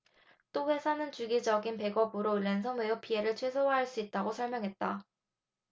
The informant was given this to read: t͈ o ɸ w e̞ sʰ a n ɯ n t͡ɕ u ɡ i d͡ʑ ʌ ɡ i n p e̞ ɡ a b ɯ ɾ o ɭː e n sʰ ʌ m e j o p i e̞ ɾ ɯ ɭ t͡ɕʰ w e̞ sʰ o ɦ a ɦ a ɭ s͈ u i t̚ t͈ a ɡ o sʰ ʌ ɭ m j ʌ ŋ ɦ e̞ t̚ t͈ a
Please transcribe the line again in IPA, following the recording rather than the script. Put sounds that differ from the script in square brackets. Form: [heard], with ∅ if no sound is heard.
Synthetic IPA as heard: t͈ o ɸ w e̞ sʰ a n ɯ n t͡ɕ u ɡ i d͡ʑ ʌ ɡ i n p e̞ ɡ [ʌ] b ɯ ɾ o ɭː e n sʰ ʌ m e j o p i e̞ ɾ ɯ ɭ t͡ɕʰ w e̞ sʰ o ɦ a ɦ a ɭ s͈ u i t̚ t͈ a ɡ o sʰ ʌ ɭ m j ʌ ŋ ɦ e̞ t̚ t͈ a